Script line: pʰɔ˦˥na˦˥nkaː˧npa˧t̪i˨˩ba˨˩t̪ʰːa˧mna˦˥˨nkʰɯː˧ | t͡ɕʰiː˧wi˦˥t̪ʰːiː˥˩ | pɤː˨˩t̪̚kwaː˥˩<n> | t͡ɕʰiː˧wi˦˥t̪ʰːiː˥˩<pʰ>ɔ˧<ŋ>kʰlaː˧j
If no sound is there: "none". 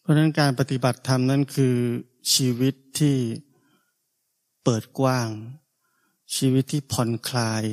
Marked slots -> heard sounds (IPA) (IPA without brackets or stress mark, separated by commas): ŋ, pʰ, n